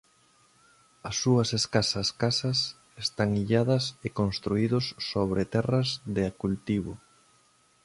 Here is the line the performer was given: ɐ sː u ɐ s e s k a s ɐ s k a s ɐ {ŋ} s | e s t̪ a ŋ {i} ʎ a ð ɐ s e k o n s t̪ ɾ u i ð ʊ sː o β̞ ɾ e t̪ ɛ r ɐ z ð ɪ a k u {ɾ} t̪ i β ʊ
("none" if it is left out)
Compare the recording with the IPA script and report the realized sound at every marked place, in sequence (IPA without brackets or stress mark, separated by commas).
none, i, l